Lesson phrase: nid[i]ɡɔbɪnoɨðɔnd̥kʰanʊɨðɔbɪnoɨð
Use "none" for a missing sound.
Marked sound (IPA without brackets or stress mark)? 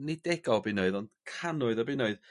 ɛ